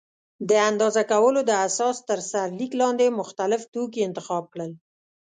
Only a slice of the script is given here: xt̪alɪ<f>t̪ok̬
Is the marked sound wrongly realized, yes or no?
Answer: no